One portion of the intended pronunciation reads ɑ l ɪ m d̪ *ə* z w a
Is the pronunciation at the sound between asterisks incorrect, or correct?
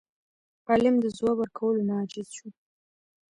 correct